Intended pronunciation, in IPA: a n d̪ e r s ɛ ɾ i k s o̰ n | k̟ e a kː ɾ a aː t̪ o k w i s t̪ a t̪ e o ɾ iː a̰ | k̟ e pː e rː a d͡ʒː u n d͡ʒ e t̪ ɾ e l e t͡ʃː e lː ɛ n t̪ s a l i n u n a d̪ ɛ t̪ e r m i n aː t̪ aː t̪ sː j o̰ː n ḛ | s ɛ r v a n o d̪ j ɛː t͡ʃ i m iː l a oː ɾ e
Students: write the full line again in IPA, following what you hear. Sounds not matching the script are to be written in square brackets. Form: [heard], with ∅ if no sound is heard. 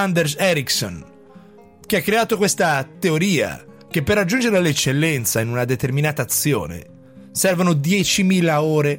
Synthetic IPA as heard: a n d̪ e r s ɛ ɾ i k s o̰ n | k̟ e a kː ɾ [e] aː t̪ o k w [e] s t̪ a t̪ e o ɾ iː a̰ | k̟ e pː e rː a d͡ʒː u n d͡ʒ e [∅] ɾ e l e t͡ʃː e lː ɛ n t̪ s a [∅] i n u n a d̪ [e] t̪ e r m i n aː t̪ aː t̪ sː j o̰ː n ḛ | s ɛ r v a n o d̪ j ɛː t͡ʃ i m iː l a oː ɾ e